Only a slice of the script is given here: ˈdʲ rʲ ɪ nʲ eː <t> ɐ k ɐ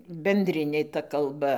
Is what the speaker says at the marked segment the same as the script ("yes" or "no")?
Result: yes